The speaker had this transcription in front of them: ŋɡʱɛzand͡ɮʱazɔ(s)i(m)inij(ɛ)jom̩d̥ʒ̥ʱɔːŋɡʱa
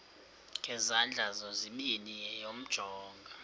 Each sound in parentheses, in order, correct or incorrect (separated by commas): incorrect, correct, correct